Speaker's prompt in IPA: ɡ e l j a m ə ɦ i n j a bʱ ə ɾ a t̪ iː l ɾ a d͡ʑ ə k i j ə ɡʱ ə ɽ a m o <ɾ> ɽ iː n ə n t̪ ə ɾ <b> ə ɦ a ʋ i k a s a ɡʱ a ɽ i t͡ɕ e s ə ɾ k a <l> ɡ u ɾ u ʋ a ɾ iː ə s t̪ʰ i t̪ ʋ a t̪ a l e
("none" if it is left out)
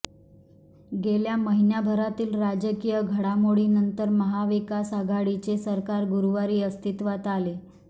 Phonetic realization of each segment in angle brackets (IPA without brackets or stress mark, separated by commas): none, m, ɾ